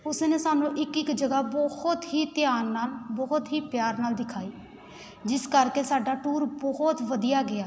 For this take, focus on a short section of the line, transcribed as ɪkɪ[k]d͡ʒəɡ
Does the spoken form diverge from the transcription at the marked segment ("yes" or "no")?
no